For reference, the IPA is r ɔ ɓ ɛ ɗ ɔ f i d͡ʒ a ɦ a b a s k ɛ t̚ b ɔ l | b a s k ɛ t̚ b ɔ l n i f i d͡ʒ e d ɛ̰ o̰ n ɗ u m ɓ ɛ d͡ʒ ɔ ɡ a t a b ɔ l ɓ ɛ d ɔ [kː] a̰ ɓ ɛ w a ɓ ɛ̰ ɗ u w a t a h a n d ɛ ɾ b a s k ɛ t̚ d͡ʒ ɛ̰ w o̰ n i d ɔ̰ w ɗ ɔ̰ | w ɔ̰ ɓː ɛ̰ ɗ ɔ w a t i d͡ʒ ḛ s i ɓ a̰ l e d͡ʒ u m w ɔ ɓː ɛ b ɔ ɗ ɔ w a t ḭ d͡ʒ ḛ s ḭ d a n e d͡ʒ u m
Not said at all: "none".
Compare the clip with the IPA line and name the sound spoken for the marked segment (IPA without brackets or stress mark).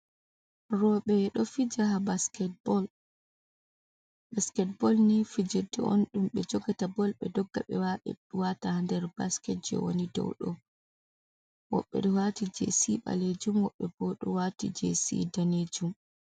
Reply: ɡː